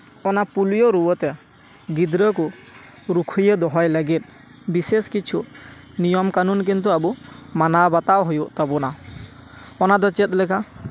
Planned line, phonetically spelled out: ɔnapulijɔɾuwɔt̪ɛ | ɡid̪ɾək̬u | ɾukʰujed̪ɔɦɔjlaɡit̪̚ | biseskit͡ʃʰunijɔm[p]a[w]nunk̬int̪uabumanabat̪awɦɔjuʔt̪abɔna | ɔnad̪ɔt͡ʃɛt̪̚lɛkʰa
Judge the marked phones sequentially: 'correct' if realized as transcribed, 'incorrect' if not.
incorrect: k, incorrect: none

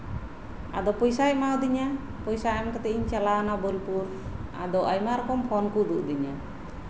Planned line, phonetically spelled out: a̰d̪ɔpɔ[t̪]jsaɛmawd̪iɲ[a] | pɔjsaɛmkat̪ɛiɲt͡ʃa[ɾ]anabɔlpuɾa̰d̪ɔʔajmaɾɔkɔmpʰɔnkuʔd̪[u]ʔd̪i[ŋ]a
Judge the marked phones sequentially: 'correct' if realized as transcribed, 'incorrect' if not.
incorrect: none, correct, incorrect: l, correct, incorrect: ɲ

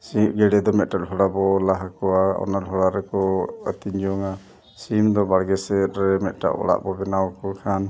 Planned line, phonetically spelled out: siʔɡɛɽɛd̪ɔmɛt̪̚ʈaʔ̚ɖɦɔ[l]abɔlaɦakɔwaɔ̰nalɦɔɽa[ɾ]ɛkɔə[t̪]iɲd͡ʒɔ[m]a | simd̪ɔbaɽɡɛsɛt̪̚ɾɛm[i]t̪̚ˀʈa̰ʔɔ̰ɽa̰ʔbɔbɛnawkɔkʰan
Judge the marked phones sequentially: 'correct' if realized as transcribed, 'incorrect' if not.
incorrect: ɽ, correct, correct, incorrect: ŋ, incorrect: ɛ

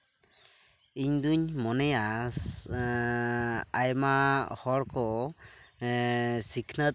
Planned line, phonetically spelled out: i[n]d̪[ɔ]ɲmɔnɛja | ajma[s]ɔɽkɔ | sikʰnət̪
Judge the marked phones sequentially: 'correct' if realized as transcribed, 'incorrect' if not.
incorrect: ɲ, incorrect: u, incorrect: h

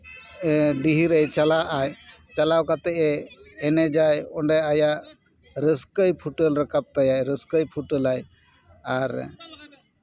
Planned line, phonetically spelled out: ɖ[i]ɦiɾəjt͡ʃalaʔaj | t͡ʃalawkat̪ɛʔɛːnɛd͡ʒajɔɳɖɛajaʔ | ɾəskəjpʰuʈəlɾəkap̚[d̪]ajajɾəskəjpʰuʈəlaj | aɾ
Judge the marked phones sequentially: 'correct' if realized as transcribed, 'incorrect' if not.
correct, incorrect: t̪

